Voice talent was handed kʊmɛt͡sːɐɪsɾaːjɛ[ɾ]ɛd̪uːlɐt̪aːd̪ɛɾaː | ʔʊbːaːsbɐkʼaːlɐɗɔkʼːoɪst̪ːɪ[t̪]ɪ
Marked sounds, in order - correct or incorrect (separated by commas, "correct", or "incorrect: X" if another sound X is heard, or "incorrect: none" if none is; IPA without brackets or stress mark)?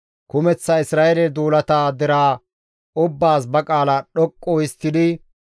incorrect: l, incorrect: d̪